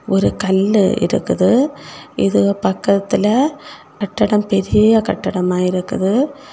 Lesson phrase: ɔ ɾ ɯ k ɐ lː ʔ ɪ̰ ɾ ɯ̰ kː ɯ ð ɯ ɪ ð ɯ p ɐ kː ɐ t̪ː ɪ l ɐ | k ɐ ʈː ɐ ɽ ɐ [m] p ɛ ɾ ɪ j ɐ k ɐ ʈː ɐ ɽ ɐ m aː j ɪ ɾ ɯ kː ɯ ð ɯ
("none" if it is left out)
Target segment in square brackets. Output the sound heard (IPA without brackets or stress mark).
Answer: m